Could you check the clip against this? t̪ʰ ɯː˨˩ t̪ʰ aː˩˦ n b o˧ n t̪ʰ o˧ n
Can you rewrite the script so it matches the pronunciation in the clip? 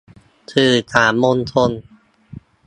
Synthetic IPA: t̪ʰ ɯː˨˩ t̪ʰ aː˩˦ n m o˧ n t̪ʰ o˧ n